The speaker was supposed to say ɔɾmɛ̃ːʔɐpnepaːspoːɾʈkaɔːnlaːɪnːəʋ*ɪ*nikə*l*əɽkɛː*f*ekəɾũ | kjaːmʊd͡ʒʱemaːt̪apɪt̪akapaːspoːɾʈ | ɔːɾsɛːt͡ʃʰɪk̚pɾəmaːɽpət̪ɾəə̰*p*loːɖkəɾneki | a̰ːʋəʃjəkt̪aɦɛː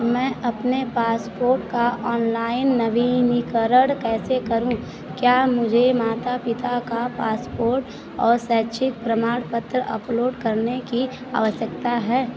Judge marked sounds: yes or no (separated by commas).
no, no, no, yes